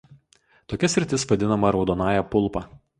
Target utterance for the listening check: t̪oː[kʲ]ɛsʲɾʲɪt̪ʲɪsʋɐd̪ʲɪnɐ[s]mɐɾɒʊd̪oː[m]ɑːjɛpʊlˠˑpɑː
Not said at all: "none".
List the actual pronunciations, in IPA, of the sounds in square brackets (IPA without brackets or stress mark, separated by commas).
kʲ, none, n